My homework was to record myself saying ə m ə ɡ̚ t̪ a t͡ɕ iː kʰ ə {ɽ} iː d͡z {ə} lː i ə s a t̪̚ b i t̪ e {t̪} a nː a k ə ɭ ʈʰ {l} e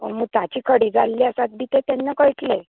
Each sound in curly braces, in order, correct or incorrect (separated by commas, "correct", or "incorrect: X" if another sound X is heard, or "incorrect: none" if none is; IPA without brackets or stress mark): correct, incorrect: a, correct, correct